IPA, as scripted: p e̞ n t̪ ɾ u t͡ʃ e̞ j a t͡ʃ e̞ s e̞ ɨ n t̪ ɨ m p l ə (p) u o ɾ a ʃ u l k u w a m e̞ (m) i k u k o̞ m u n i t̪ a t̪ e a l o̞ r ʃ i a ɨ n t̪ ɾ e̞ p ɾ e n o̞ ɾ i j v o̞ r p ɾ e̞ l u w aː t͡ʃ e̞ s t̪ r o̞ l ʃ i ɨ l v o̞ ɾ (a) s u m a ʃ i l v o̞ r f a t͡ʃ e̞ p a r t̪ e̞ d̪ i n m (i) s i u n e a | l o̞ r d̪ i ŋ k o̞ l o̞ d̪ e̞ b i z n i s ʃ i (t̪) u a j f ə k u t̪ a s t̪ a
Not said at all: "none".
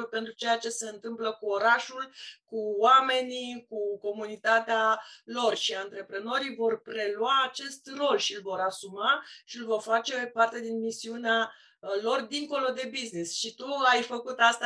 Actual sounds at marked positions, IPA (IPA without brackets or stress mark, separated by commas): k, n, a, i, t̪